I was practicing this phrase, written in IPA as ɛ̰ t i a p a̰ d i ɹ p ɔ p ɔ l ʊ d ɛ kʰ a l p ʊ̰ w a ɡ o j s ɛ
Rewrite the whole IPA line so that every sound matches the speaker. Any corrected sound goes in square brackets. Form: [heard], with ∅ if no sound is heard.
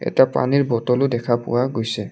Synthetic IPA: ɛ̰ t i a p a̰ [n] i ɹ [b] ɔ [t] ɔ l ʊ d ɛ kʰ a [∅] p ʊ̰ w a ɡ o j s ɛ